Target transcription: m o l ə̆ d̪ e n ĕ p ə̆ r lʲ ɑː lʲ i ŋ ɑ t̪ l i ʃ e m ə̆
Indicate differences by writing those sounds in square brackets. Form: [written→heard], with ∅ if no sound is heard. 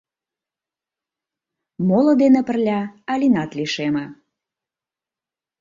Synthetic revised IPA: m o l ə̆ d̪ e n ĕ p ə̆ r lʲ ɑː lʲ i [ŋ→n] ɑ t̪ l i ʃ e m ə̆